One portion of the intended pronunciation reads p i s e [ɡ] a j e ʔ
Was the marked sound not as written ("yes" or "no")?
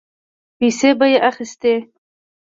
yes